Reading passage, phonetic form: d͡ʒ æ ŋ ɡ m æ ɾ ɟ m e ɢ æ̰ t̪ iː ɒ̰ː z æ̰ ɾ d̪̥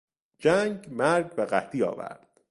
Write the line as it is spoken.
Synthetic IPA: d͡ʒ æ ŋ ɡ m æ ɾ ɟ b e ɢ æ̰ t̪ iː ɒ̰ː v æ̰ ɾ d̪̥